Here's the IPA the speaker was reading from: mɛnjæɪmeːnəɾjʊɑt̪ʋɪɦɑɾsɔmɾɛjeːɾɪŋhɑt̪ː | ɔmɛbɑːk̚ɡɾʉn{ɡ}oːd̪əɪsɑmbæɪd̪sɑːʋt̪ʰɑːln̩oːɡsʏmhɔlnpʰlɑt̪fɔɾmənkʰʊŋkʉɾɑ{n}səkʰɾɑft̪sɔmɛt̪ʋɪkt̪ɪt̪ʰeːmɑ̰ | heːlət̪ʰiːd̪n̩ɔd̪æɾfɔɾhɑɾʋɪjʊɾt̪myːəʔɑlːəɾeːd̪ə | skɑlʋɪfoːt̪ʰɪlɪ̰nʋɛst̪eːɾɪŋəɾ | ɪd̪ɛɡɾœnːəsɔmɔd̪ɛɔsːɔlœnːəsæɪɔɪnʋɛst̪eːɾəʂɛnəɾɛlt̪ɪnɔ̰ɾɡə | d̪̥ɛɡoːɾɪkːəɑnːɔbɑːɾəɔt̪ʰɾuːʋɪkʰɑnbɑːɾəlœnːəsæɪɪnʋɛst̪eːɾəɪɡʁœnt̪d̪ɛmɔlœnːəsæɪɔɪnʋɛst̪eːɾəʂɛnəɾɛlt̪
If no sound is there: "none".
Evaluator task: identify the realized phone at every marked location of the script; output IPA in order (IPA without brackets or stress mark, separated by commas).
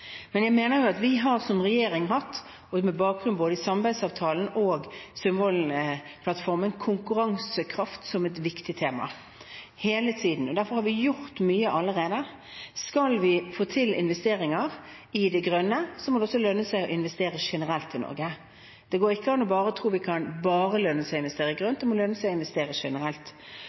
b, ŋ